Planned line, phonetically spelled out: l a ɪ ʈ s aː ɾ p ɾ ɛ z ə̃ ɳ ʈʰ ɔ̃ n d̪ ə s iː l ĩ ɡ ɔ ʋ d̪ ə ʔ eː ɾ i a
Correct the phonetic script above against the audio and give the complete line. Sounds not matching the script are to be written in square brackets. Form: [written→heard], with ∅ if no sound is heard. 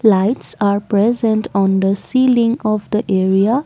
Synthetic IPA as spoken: l a ɪ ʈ s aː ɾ p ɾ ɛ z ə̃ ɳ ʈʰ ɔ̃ n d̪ ə s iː l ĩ [ɡ→ŋ] ɔ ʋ d̪ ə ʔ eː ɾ i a